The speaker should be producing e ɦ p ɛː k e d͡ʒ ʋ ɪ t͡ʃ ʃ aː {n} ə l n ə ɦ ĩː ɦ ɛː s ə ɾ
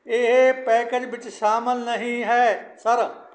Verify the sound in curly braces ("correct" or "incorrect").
incorrect